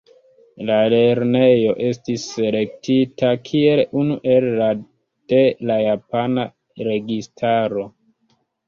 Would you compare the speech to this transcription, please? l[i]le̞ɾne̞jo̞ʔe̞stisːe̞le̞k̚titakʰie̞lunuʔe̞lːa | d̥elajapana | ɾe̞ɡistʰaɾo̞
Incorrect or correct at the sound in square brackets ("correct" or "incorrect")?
incorrect